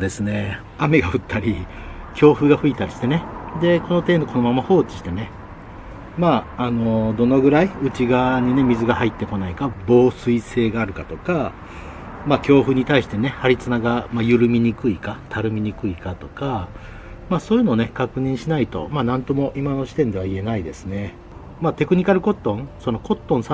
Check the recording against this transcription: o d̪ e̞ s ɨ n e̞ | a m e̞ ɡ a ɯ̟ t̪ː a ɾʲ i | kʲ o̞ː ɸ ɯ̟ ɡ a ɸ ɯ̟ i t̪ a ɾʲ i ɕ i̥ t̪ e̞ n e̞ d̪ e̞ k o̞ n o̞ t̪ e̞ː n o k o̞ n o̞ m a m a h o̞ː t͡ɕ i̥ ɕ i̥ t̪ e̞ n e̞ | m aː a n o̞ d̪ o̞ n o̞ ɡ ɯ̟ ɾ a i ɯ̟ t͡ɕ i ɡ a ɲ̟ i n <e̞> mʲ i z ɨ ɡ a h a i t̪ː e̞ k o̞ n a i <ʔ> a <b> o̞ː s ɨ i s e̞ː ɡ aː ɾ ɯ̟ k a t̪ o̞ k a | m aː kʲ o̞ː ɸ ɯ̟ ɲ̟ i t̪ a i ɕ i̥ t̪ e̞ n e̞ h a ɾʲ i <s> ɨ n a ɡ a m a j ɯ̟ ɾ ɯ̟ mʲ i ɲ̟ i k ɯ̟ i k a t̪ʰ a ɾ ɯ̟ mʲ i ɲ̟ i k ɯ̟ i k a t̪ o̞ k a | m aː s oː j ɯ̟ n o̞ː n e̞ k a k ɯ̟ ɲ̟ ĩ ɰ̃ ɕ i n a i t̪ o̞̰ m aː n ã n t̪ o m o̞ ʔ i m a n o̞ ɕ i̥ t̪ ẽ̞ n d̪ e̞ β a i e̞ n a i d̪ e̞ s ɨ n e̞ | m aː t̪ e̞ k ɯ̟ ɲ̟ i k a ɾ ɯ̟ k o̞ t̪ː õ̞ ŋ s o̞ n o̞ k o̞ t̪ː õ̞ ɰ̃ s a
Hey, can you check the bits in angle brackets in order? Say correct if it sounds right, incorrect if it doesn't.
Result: correct, incorrect, correct, incorrect

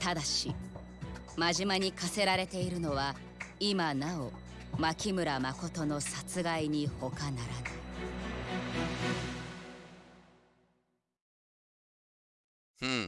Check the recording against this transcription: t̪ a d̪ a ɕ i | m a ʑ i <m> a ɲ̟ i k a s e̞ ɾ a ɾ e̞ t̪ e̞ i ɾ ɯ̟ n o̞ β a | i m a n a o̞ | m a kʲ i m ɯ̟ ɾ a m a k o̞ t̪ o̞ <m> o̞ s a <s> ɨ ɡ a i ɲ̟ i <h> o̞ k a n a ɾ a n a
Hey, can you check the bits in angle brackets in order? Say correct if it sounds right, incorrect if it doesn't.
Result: correct, incorrect, incorrect, correct

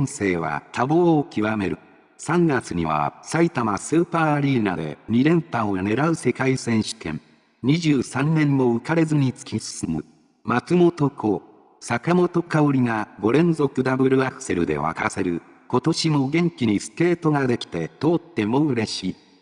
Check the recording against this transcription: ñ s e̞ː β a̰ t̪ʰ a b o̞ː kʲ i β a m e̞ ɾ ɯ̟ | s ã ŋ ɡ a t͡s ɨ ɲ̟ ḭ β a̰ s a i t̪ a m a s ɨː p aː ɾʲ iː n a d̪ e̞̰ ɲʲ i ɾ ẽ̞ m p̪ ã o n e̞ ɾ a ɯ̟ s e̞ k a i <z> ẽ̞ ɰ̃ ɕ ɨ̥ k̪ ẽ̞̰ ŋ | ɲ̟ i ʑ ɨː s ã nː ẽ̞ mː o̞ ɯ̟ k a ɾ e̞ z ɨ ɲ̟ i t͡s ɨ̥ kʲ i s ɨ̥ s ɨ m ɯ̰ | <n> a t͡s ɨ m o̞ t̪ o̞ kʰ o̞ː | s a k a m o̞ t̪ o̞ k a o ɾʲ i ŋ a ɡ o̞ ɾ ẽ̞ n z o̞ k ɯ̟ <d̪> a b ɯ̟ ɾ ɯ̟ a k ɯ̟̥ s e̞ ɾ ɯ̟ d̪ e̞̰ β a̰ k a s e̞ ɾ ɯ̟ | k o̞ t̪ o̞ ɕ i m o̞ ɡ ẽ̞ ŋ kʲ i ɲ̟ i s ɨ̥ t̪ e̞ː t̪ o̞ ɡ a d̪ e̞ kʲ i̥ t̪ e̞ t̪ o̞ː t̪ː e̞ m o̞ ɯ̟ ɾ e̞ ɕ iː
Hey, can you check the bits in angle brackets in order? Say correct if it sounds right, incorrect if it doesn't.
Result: incorrect, incorrect, correct

